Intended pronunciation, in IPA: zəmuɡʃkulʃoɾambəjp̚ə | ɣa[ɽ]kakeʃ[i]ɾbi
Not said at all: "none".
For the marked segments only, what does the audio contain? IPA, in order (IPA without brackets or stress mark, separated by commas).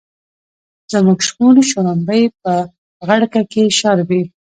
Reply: ɽ, a